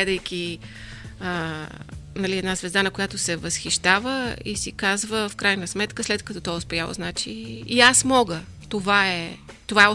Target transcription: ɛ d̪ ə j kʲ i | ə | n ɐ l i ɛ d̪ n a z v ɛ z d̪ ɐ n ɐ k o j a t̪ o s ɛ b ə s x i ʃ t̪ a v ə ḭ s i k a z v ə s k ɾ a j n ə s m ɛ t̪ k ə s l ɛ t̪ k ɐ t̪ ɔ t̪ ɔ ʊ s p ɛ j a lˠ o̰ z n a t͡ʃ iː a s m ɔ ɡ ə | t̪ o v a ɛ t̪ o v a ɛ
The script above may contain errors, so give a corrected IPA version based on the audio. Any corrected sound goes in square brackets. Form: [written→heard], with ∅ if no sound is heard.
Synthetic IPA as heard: ɛ d̪ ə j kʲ i | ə | n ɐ l i ɛ d̪ n a z v ɛ z d̪ [ɐ→a] n ɐ k o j a t̪ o s ɛ [b→v] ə s x i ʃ t̪ a v ə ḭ s i k a z v ə [s→f] k ɾ a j n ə s m ɛ t̪ k ə s l ɛ t̪ k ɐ t̪ ɔ t̪ ɔ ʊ s p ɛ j a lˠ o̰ z n a t͡ʃ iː a s m ɔ ɡ ə | t̪ o v a ɛ t̪ o v a ɛ